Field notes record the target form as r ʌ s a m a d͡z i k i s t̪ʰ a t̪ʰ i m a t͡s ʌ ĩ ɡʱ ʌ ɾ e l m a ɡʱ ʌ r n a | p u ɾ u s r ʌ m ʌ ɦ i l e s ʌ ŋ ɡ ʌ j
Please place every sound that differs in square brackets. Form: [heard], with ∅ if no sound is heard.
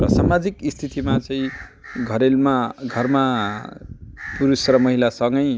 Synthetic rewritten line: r ʌ s a m a d͡z i k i s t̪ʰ [i] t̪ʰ i m a t͡s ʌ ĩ ɡʱ ʌ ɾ e l m a ɡʱ ʌ r [m] a | p u ɾ u s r ʌ m ʌ ɦ i l [a] s ʌ ŋ ɡ ʌ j